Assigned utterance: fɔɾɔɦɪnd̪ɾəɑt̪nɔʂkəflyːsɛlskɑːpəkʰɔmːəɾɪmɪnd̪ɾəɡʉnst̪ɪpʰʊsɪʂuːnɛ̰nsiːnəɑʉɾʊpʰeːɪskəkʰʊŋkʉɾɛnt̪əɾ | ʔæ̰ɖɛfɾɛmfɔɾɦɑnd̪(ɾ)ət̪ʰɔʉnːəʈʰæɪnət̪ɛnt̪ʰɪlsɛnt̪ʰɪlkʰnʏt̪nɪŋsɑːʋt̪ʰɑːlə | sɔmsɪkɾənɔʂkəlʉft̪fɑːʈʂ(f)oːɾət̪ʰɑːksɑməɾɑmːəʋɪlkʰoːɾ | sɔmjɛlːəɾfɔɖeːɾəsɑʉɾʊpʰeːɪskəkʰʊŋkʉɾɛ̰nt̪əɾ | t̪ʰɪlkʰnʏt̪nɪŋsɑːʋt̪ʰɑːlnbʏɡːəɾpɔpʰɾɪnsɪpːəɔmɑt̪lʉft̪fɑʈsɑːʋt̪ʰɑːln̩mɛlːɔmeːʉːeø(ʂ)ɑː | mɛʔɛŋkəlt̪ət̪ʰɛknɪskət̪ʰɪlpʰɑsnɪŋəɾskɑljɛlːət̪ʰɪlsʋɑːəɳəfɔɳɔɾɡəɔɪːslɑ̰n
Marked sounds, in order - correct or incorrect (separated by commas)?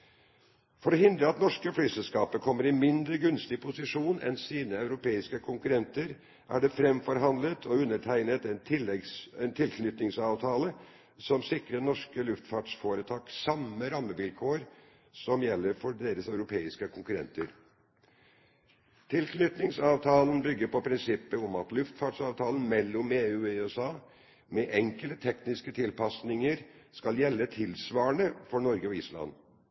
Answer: incorrect, correct, incorrect